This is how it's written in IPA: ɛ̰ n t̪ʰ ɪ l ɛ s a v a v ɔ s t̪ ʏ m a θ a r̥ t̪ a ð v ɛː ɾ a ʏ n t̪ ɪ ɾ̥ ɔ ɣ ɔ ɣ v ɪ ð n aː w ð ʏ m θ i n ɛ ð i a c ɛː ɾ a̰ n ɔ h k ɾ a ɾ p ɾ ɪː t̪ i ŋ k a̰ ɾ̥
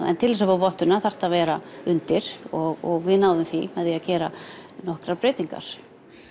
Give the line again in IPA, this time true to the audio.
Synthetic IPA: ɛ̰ n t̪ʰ ɪ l ɛ s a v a v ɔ h t̪ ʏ n a θ a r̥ t̪ a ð v ɛː ɾ a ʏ n t̪ ɪ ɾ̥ ɔ ɣ ɔ ɣ v ɪ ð n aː w ð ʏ m θ i m ɛ ð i a c ɛː ɾ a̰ n ɔ h k ɾ a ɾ p ɾ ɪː t̪ i ŋ k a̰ ɾ̥